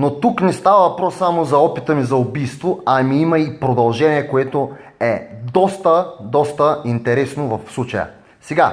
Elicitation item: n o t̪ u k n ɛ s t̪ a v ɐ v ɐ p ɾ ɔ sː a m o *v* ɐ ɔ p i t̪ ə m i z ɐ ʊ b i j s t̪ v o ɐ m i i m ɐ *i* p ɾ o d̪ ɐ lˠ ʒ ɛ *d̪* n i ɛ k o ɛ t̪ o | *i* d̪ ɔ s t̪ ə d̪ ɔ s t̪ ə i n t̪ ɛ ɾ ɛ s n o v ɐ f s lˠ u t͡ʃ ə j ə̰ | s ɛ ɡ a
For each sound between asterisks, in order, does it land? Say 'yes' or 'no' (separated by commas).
no, yes, no, no